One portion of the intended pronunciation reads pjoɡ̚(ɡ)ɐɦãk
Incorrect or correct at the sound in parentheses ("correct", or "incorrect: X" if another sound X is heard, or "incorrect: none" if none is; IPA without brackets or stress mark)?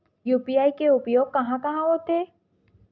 incorrect: k